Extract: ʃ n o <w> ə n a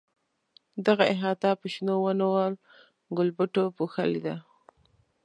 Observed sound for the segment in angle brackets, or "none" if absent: w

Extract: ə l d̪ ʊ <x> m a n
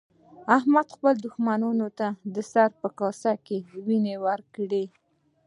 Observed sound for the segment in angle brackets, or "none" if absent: x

